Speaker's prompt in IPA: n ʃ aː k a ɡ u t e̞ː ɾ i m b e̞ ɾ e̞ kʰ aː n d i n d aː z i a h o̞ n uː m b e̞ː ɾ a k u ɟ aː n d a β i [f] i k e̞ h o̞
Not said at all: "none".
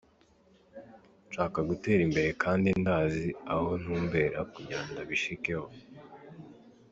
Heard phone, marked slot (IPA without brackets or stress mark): ʃ